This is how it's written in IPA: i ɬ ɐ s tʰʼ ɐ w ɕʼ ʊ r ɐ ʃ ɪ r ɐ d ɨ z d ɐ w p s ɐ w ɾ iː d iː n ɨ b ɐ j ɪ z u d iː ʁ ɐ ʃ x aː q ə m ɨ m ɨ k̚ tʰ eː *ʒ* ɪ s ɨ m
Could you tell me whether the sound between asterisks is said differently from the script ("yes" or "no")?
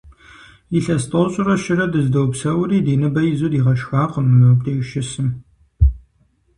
yes